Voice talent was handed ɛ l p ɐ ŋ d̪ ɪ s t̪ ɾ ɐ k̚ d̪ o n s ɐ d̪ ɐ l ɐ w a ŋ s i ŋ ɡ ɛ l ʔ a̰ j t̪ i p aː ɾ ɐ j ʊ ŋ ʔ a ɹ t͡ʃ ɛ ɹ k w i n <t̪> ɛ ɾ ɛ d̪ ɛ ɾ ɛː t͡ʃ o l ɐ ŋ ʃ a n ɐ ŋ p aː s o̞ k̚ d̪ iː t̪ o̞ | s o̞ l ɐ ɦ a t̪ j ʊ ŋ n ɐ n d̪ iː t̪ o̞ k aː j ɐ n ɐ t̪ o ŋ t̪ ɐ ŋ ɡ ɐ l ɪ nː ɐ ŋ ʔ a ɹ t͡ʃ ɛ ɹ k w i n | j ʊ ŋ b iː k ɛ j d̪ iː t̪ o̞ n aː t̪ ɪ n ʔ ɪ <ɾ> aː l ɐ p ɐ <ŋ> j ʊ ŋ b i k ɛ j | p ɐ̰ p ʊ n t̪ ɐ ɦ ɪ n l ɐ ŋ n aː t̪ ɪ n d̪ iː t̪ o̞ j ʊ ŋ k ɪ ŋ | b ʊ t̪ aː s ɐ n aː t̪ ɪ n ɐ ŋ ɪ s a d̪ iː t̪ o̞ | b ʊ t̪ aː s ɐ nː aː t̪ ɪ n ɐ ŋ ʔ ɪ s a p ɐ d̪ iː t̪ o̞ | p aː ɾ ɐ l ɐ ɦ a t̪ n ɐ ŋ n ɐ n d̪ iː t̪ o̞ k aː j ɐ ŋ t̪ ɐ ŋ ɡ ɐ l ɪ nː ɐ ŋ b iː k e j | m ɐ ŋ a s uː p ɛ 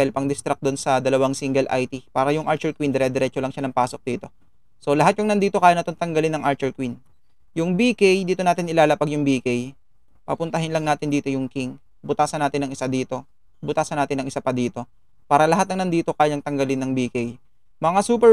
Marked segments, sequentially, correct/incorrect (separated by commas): incorrect, incorrect, incorrect